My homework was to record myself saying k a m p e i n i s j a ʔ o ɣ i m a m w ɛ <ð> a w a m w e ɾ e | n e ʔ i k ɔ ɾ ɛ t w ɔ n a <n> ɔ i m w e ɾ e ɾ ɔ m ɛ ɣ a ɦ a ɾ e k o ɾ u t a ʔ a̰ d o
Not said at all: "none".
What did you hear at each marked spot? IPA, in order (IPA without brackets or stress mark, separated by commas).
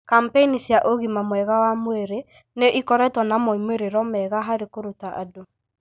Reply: ɣ, m